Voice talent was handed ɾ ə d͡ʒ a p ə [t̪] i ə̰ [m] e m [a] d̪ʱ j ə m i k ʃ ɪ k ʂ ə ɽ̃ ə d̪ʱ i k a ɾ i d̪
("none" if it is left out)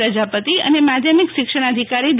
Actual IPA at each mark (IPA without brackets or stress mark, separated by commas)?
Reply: t̪, n, a